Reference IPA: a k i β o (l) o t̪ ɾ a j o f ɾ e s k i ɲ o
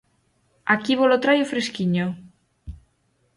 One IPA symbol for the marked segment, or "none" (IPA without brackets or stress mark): l